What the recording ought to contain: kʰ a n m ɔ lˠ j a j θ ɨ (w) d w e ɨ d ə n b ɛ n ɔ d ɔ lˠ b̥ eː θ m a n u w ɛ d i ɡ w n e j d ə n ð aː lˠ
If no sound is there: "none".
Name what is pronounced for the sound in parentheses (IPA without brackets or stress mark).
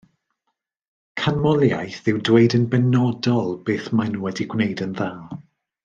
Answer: w